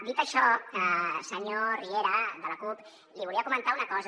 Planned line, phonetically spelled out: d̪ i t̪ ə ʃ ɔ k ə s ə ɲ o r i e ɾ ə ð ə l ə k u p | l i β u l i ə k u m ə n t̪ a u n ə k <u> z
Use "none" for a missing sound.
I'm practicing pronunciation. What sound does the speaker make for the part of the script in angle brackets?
ɔ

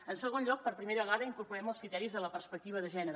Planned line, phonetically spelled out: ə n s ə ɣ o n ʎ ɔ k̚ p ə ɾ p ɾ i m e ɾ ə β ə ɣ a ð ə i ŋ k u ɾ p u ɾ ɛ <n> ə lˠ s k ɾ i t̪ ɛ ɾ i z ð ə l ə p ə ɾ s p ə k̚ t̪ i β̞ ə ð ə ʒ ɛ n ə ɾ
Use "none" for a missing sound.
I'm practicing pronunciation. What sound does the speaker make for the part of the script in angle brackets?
m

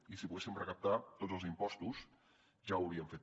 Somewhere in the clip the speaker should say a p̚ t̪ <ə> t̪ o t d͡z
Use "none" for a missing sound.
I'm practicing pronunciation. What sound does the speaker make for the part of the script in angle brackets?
a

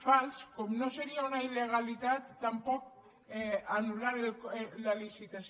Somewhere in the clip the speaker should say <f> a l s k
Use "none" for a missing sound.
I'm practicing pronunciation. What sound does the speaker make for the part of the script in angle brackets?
f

